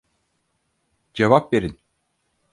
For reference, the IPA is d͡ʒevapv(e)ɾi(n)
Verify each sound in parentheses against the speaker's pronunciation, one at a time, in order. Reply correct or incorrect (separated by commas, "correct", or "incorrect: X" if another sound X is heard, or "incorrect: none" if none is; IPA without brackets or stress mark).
correct, correct